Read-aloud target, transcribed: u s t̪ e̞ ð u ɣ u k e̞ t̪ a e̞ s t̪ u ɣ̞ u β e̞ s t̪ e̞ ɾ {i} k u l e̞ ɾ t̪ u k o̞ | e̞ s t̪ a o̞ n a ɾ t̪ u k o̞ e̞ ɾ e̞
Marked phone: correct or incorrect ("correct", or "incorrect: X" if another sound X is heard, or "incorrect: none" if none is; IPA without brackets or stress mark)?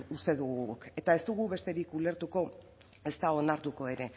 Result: correct